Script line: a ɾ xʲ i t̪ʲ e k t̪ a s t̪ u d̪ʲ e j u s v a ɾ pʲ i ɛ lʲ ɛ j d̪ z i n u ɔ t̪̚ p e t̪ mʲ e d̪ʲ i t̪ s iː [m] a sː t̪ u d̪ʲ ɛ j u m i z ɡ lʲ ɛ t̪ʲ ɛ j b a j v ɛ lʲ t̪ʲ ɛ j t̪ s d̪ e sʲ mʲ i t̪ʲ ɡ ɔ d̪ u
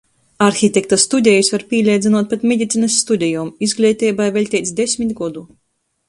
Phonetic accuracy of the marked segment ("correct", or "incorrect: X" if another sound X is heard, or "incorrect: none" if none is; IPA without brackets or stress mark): incorrect: n